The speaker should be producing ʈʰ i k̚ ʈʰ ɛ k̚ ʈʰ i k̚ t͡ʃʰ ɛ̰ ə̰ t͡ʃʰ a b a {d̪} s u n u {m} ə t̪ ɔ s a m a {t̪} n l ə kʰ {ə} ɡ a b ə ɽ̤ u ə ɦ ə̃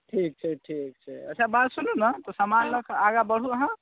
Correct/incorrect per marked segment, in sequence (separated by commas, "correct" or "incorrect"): incorrect, incorrect, incorrect, incorrect